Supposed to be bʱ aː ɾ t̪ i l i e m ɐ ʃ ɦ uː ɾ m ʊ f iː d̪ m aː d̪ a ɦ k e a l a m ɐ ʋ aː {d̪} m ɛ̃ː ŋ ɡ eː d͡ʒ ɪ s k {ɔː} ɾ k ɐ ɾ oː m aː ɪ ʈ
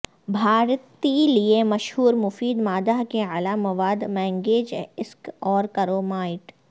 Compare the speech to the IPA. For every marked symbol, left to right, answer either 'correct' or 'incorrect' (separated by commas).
correct, correct